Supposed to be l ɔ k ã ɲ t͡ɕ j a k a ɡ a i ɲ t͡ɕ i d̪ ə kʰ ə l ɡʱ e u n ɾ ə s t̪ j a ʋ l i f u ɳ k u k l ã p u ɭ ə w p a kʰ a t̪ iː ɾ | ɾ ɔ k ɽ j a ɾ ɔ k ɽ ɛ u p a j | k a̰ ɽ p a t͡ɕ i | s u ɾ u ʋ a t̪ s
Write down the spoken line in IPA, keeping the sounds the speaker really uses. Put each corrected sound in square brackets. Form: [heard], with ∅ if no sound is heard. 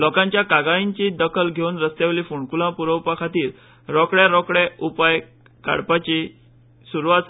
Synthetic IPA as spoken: l ɔ k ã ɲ t͡ɕ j a k a ɡ a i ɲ t͡ɕ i d̪ ə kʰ ə l ɡʱ e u n ɾ ə s t̪ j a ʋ l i f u ɳ k u [∅] l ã p u [ɾ] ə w p a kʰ a t̪ iː ɾ | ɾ ɔ k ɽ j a ɾ ɔ k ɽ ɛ u p a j | k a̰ ɽ p a t͡ɕ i | s u ɾ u ʋ a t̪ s

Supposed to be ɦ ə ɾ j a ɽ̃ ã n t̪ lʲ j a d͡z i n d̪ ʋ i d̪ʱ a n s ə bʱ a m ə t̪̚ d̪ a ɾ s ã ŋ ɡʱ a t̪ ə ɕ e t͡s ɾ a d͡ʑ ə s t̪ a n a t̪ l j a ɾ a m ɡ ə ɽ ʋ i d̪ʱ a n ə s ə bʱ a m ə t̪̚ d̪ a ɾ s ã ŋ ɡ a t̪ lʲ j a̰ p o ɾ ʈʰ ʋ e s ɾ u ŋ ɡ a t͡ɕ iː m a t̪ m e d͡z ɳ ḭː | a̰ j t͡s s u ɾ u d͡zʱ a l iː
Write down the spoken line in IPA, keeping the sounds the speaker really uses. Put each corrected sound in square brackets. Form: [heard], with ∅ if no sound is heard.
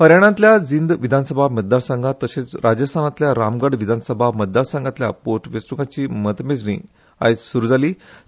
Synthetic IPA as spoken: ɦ ə ɾ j a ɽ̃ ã n t̪ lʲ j a d͡z i n d̪ ʋ i d̪ʱ a n s ə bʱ a m ə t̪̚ d̪ a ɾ s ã ŋ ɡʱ a t̪ ə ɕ e t͡s ɾ a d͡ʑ ə s [t̪ʰ] a n a t̪ l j a ɾ a m ɡ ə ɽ ʋ i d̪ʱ a n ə s ə bʱ a m ə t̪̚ d̪ a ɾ s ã ŋ ɡ a t̪ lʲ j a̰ p o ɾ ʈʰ ʋ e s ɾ u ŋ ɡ a t͡ɕ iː m [ə] t̪ m e d͡z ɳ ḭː | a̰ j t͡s s u ɾ u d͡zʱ a l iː

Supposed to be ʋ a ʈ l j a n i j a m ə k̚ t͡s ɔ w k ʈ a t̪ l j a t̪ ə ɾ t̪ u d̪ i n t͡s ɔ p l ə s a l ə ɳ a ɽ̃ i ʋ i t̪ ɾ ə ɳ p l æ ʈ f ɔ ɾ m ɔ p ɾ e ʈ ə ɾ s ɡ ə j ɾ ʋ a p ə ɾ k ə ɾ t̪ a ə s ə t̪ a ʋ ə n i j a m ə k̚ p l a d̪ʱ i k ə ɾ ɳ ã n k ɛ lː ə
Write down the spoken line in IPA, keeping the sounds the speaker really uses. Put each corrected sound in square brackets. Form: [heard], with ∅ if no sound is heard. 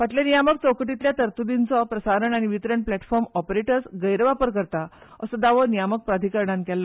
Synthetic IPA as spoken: ʋ a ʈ l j a n i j a m ə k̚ t͡s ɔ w k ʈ [i] t̪ l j a t̪ ə ɾ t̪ u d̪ i n t͡s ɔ p [ɾ] ə s a [ɾ] ə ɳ a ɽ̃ i ʋ i t̪ ɾ ə ɳ p l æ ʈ f ɔ ɾ m ɔ p ɾ e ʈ ə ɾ s ɡ ə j ɾ ʋ a p ə ɾ k ə ɾ t̪ a ə s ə [d̪] a ʋ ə n i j a m ə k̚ p [ɾ] a d̪ʱ i k ə ɾ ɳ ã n k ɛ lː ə

